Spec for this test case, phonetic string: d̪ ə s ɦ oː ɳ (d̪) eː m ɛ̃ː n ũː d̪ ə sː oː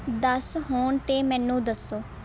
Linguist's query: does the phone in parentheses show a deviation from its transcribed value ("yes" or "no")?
yes